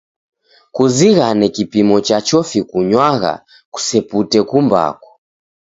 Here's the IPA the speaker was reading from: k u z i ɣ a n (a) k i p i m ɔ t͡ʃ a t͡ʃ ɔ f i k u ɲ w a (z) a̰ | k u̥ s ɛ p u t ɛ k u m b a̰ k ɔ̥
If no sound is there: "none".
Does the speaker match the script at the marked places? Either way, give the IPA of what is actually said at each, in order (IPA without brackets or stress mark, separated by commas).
ɛ, ɣ